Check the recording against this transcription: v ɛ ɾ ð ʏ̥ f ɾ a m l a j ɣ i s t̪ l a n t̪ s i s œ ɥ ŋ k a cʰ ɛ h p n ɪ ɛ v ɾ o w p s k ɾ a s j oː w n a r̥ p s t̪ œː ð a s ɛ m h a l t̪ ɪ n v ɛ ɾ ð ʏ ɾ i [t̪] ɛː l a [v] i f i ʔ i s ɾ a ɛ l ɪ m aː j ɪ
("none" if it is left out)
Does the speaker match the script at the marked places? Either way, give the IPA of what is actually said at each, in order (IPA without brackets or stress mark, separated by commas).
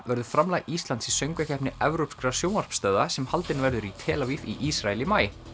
t̪ʰ, v